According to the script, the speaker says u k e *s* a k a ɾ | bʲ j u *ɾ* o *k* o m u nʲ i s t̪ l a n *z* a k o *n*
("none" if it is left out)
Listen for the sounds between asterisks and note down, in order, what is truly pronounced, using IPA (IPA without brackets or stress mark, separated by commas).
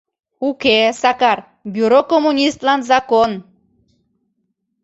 s, ɾ, k, z, n